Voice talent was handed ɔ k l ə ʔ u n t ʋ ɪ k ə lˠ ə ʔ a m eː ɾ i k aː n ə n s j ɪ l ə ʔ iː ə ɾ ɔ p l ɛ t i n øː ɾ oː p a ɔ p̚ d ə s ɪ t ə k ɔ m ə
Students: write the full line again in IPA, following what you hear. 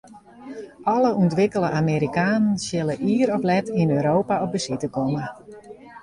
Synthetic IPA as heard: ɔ l ə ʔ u n t ʋ ɪ k ə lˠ ə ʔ a m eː ɾ i k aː n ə n s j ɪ l ə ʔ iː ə ɾ ɔ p l ɛ t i n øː ɾ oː p a ɔ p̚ b ə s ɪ t ə k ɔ m ə